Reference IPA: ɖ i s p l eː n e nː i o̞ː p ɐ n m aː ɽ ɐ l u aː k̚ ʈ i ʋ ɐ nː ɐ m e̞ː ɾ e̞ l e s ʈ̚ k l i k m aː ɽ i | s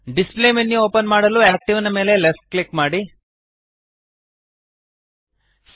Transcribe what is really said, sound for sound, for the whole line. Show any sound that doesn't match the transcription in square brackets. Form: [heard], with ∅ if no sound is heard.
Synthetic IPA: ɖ i s p l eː [m] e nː i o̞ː p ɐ n m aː ɽ ɐ l u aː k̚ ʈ i ʋ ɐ [n] ɐ m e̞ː [l] e̞ l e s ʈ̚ k l i k m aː ɽ i | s